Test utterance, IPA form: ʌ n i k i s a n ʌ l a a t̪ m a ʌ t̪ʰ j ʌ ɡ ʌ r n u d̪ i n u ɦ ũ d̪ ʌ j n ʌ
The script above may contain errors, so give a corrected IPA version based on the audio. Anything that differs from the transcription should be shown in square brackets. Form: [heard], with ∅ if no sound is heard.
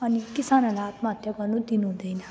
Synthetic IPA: ʌ n i k i s a n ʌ l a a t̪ m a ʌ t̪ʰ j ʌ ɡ ʌ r n u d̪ i n u ɦ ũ d̪ ʌ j n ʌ

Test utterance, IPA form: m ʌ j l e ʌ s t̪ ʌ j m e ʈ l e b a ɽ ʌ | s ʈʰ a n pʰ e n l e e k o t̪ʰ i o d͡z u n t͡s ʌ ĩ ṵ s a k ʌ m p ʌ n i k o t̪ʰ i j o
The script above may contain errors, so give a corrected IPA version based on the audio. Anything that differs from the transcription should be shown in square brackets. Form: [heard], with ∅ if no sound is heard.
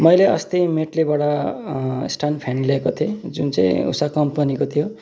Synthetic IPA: m ʌ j l e ʌ s t̪ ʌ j m e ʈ l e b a ɽ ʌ | s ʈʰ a n pʰ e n l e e k o t̪ʰ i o d͡z u n t͡s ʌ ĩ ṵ s a k ʌ m p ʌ n i k o t̪ʰ i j o

